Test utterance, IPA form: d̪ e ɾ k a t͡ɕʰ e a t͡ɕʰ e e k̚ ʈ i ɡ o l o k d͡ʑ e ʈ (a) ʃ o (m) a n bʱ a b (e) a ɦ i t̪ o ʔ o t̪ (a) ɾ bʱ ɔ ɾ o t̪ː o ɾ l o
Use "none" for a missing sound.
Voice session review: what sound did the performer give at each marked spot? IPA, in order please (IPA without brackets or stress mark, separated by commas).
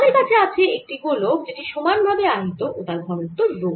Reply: i, m, e, a